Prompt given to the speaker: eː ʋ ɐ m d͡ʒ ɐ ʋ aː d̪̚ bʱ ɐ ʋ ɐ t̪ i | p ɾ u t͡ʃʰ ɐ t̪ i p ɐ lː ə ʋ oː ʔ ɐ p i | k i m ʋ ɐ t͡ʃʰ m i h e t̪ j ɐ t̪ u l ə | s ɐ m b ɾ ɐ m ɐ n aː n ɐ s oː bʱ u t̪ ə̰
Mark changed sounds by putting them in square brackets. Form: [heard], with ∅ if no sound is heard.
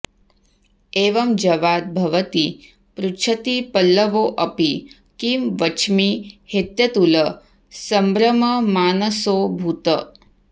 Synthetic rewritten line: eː ʋ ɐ m d͡ʒ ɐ ʋ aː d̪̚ bʱ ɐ ʋ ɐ t̪ i | p ɾ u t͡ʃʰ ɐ t̪ i p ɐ lː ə ʋ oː ʔ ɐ p i | k i m ʋ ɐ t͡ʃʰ m i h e t̪ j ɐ t̪ u l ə | s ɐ m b ɾ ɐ m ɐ [m] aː n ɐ s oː bʱ u t̪ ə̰